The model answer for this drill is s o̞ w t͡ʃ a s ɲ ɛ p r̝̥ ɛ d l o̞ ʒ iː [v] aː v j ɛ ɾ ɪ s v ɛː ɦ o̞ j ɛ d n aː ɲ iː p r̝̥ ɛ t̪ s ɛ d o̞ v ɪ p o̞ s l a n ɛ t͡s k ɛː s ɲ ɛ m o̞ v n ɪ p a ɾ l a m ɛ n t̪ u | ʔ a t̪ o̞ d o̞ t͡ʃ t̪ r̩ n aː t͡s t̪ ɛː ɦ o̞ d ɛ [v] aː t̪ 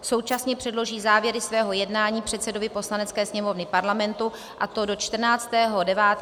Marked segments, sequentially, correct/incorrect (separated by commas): incorrect, correct